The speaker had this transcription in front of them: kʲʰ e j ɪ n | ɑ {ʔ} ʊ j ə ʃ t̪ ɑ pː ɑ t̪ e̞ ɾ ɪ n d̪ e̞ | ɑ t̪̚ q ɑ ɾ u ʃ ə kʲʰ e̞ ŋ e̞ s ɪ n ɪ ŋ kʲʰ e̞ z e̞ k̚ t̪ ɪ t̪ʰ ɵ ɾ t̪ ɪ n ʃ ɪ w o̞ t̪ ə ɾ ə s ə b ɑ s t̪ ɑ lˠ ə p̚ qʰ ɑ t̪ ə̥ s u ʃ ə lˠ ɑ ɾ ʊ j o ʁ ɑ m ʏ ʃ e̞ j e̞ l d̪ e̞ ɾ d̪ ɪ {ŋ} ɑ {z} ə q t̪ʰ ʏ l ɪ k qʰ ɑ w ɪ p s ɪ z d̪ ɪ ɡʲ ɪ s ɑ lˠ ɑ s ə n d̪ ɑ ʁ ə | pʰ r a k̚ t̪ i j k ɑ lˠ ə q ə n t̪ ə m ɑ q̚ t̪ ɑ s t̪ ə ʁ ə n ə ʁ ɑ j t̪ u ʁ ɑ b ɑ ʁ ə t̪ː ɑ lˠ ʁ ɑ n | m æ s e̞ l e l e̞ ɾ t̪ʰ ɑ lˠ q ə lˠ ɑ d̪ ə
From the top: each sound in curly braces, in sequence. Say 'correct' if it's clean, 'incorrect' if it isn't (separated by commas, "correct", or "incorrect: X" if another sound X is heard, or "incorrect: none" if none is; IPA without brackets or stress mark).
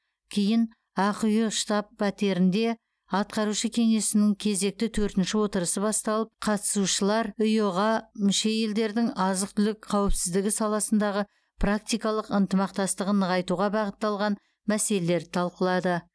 incorrect: q, correct, correct